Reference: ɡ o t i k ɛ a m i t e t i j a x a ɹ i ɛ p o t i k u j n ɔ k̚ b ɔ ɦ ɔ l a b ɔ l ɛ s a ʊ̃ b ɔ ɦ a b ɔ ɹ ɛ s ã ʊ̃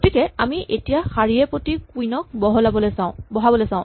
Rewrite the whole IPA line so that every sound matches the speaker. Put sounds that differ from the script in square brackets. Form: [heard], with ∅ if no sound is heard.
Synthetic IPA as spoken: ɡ o t i k ɛ a m i [ʔ] e t i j a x a ɹ i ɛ p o t i k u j n ɔ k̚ b ɔ ɦ ɔ l a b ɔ l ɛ s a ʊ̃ b ɔ ɦ a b ɔ [l] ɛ s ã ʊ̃

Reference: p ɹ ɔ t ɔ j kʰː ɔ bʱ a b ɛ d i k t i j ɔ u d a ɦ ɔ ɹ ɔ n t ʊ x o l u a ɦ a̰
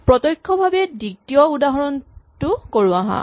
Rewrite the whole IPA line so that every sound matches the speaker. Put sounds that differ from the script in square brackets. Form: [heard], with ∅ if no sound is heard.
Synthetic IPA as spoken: p ɹ ɔ t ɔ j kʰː ɔ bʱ a b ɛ d i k t i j ɔ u d a ɦ ɔ ɹ ɔ n t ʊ [k] o [ɹ] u a ɦ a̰

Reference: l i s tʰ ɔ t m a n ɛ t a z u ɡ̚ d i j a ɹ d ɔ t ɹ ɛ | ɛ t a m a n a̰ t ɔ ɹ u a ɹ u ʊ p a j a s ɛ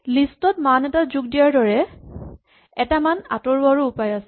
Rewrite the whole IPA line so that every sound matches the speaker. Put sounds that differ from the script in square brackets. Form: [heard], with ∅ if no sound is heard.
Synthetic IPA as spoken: l i s [t] ɔ t m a n ɛ t a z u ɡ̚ d i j a ɹ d ɔ [∅] ɹ ɛ | ɛ t a m a n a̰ t ɔ ɹ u a ɹ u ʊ p a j a s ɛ

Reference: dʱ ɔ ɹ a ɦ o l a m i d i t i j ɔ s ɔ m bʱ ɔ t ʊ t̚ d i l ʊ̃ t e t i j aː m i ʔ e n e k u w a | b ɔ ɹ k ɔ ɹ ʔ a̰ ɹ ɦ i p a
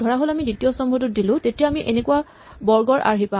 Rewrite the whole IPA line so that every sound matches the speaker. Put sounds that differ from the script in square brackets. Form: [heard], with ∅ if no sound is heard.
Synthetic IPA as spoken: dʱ ɔ ɹ a ɦ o l a m i d i t i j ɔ s ɔ m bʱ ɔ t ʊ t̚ d i l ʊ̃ t e t i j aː m i ʔ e n e k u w a | b ɔ ɹ [ɡ] ɔ ɹ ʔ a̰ ɹ ɦ i p a

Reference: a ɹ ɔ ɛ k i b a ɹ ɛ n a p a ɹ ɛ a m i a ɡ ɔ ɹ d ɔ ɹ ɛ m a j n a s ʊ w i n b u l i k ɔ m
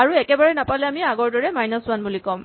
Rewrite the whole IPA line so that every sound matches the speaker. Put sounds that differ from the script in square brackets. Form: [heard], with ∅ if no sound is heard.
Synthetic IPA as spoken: a ɹ [u] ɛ k [ɛ] b a ɹ ɛ n a p a [l] ɛ a m i a ɡ ɔ ɹ d ɔ ɹ ɛ m a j n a s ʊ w [a] n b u l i k ɔ m

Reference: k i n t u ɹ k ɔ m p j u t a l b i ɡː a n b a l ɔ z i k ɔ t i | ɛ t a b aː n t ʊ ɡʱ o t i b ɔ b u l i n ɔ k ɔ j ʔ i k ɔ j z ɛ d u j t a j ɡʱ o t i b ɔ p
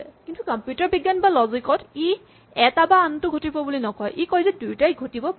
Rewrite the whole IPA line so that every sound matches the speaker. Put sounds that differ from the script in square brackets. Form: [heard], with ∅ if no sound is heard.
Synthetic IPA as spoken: k i n t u [∅] k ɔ m p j u t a [ɹ] b i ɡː a n b a l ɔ z i k ɔ t i | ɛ t a b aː n t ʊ ɡʱ o t i b ɔ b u l i n ɔ k ɔ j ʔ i k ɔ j z ɛ d u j t a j ɡʱ o t i b ɔ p

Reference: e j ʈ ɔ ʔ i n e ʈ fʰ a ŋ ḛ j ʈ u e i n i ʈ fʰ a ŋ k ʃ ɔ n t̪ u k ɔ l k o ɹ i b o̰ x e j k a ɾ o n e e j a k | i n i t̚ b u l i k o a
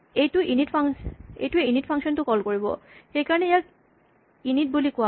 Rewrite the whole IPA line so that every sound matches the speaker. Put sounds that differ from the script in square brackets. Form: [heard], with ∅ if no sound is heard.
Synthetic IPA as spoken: e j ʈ [u] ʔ i n [i] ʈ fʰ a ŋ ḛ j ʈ u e i n i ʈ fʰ a ŋ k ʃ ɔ n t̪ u k ɔ l k o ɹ i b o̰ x e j k a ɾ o n e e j a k | i n i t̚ b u l i k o a

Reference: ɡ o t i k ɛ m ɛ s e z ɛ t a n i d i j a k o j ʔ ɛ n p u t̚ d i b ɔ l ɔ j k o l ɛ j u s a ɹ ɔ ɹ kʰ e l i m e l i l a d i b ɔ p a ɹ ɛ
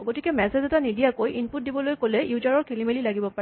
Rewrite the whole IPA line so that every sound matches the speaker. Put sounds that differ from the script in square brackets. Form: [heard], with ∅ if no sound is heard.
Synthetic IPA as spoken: ɡ o t i k ɛ m ɛ s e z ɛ t a n i d i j a k o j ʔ [i] n p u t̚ d i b ɔ l [o] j k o l ɛ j u [z] a ɹ ɔ ɹ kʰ e l i m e l i l a [ɡ] i b ɔ p a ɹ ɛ

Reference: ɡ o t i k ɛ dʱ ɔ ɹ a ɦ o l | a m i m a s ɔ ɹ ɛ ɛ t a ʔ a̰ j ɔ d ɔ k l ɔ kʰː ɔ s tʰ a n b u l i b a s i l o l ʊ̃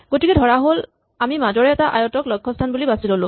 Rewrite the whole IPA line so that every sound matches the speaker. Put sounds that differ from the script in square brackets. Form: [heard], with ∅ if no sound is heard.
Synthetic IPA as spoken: ɡ o t i k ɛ dʱ ɔ ɹ a ɦ o l | a m i m a [z] ɔ ɹ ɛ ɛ t a ʔ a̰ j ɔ [t] ɔ k l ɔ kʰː ɔ s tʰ a n b u l i b a s i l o l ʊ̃

